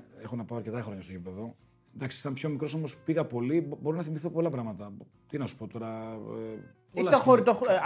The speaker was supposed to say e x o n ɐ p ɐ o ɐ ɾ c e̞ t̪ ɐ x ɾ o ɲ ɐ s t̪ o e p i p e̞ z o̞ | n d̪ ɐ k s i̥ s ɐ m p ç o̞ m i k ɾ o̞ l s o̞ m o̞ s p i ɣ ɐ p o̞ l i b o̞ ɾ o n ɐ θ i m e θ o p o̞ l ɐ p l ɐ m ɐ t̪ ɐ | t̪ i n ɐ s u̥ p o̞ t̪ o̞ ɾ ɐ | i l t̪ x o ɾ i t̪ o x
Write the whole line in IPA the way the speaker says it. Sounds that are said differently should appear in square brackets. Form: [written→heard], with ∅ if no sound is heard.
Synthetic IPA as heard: e x o n ɐ p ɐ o ɐ ɾ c e̞ t̪ ɐ x ɾ o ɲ ɐ s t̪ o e p i p e̞ [z→ð] o̞ | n d̪ ɐ k s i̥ s ɐ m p ç o̞ m i k ɾ o̞ [l→∅] s o̞ m o̞ s p i ɣ ɐ p o̞ l i b o̞ ɾ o n ɐ θ i m [e→i] θ o p o̞ l ɐ p [l→ɾ] ɐ m ɐ t̪ ɐ | t̪ i n ɐ s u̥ p o̞ t̪ o̞ ɾ ɐ | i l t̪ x o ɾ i t̪ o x